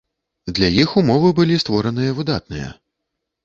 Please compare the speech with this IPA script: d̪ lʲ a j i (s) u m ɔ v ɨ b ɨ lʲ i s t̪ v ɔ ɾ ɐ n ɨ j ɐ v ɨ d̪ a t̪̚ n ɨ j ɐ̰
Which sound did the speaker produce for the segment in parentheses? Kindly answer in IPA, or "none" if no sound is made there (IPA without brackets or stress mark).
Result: x